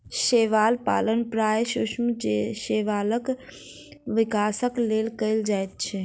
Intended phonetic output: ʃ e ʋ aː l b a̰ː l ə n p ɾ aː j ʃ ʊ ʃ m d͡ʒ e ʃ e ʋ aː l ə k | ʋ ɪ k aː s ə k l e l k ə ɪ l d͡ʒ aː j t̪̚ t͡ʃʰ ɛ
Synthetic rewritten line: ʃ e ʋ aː l p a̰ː l ə n p ɾ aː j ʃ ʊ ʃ m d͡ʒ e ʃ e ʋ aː l ə k | ʋ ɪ k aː s ə k l e l k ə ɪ l d͡ʒ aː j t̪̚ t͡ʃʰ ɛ